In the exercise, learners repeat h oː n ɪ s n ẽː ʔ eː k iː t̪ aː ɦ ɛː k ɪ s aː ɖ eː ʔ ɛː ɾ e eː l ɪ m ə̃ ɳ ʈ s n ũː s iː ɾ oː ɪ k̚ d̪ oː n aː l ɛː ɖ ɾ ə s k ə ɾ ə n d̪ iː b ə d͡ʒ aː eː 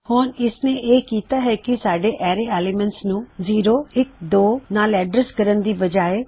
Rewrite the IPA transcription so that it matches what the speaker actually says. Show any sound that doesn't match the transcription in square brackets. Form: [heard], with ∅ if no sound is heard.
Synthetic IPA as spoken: h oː n ɪ s n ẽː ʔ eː k iː t̪ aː ɦ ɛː k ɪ s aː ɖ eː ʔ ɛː ɾ e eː l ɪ m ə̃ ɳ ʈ s n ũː [z] iː ɾ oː ɪ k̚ d̪ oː n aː l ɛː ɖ ɾ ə s k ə ɾ ə n d̪ iː b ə d͡ʒ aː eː